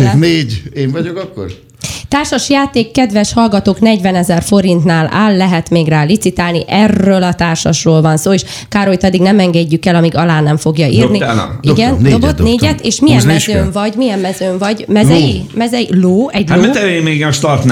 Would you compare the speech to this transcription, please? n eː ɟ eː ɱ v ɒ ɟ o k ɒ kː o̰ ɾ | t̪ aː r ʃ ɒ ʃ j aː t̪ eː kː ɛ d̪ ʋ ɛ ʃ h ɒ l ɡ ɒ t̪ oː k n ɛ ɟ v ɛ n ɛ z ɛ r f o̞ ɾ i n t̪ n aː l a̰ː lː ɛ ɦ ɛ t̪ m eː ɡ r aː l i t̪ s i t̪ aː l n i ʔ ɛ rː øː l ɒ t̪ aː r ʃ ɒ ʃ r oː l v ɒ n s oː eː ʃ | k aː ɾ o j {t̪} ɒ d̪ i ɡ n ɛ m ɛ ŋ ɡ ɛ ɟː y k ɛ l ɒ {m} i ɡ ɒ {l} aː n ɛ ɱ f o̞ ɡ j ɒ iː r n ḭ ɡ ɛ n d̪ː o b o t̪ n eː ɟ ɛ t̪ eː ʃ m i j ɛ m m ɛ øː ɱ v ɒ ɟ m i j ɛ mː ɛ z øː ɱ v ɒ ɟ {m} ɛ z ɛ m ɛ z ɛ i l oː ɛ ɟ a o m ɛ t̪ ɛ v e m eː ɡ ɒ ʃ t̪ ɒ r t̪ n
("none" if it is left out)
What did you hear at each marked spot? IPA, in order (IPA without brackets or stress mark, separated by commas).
t̪, m, l, m